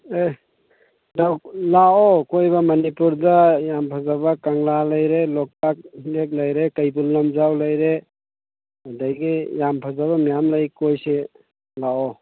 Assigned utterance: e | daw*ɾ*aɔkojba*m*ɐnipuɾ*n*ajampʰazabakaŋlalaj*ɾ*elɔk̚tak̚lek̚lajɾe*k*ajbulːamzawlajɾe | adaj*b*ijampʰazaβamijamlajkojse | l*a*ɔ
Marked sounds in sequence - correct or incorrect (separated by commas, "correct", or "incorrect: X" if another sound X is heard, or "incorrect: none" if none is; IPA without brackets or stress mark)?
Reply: incorrect: l, correct, incorrect: d, correct, correct, incorrect: ɡ, correct